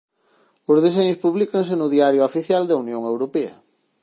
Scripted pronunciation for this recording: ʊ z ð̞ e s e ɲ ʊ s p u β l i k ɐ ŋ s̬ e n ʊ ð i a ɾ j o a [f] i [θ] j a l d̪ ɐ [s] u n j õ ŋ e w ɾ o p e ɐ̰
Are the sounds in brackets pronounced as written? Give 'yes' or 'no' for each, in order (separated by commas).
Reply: yes, yes, no